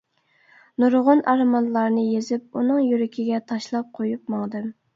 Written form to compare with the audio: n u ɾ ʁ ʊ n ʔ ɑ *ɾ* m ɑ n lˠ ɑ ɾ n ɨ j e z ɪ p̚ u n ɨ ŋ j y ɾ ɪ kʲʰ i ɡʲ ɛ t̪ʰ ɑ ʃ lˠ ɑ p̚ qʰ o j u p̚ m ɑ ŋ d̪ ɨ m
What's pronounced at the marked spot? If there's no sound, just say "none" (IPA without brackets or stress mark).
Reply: ɾ